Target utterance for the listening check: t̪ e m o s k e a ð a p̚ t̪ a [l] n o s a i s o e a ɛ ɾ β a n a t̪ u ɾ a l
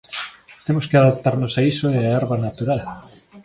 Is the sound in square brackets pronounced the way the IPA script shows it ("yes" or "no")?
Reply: no